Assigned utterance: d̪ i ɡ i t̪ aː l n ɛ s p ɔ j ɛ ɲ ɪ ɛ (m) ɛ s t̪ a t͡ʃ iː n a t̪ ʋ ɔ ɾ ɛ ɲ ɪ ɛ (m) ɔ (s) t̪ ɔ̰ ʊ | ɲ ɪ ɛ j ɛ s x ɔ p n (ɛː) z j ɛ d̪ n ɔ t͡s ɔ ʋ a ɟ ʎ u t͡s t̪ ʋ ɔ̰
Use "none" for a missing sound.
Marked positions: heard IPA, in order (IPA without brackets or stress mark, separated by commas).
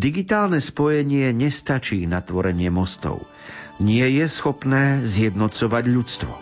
ɲ, m, s, ɛː